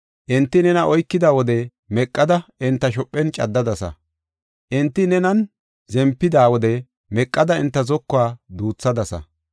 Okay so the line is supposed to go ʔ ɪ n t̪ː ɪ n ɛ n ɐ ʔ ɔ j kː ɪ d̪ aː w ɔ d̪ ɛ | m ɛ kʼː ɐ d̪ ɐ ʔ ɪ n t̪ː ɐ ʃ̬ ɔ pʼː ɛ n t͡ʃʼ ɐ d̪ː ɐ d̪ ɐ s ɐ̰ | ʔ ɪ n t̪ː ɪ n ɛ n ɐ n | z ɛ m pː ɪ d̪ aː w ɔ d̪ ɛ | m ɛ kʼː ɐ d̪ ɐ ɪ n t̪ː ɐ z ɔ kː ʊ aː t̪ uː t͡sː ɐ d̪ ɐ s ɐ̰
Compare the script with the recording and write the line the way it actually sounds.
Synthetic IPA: ʔ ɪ n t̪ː ɪ n ɛ n ɐ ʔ ɔ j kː ɪ d̪ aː w ɔ d̪ ɛ | m ɛ kʼː ɐ d̪ ɐ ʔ ɪ n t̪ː ɐ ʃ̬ ɔ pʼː ɛ n t͡ʃʼ ɐ d̪ː ɐ d̪ ɐ s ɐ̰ | ʔ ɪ n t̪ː ɪ n ɛ n ɐ n | z ɛ m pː ɪ d̪ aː w ɔ d̪ ɛ | m ɛ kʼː ɐ d̪ ɐ ɪ n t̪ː ɐ z ɔ kː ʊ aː d̪ uː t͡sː ɐ d̪ ɐ s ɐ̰